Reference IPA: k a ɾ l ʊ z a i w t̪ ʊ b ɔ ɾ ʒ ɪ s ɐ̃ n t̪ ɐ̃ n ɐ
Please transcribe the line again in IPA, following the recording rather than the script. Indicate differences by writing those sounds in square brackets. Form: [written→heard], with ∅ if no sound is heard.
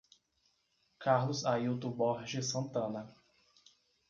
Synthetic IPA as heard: k a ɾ l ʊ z a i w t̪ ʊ b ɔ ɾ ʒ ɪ s ɐ̃ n t̪ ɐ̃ n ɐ